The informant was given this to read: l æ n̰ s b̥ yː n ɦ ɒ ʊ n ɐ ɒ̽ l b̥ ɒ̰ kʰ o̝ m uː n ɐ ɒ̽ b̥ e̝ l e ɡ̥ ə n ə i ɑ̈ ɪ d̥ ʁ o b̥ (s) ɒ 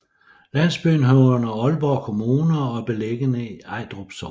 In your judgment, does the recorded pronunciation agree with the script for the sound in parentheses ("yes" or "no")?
yes